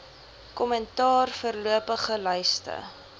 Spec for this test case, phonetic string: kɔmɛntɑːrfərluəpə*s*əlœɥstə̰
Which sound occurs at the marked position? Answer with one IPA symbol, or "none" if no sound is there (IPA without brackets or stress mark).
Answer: χ